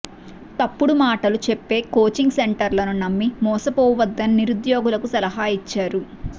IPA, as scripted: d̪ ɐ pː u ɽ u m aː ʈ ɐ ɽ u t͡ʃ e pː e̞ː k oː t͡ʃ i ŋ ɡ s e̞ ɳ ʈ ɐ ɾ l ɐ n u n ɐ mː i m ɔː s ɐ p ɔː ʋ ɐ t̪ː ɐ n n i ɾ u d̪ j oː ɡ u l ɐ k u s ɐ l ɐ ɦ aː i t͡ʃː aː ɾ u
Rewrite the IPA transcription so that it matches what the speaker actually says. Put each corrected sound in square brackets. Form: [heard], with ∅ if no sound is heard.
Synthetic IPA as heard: [t̪] ɐ pː u ɽ u m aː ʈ ɐ [l] u t͡ʃ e pː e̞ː k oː t͡ʃ i ŋ ɡ s e̞ ɳ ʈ ɐ ɾ l ɐ n u n ɐ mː i m ɔː s ɐ p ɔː ʋ ɐ [d̪ː] ɐ n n i ɾ u d̪ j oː ɡ u l ɐ k u s ɐ l ɐ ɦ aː i t͡ʃː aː ɾ u